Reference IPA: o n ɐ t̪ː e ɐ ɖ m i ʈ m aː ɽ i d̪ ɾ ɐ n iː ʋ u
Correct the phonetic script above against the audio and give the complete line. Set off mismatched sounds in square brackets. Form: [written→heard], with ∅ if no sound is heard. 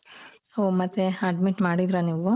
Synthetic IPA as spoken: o [n→m] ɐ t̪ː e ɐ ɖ m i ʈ m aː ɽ i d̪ ɾ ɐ n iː ʋ u